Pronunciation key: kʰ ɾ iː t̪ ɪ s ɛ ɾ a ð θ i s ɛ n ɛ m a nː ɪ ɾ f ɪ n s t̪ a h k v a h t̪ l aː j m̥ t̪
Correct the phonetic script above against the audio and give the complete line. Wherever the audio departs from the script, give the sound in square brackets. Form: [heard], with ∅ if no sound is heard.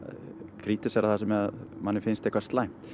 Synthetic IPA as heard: kʰ ɾ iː t̪ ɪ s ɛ ɾ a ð θ [a] s ɛ [m] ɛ m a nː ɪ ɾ f ɪ n s t̪ [ɛ] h k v a [s] t̪ l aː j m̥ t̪